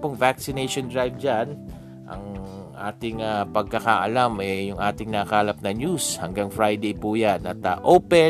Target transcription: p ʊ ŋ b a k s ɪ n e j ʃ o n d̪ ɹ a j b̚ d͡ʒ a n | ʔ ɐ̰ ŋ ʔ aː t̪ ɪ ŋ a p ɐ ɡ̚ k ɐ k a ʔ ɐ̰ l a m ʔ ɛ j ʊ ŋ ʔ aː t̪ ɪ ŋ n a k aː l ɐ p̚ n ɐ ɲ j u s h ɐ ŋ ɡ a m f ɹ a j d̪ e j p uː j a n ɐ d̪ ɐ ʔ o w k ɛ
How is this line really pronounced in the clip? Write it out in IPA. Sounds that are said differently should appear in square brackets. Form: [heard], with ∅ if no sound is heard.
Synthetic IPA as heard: p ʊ ŋ [v] a k s ɪ n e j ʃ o n d̪ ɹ a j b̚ d͡ʒ a n | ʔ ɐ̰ ŋ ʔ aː t̪ ɪ ŋ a p ɐ ɡ̚ k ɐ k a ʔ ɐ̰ l a m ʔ ɛ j ʊ ŋ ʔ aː t̪ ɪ ŋ n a k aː l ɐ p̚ n ɐ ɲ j u s h ɐ ŋ ɡ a [ŋ] f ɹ a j d̪ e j p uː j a n ɐ [t̪] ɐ ʔ o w [p] ɛ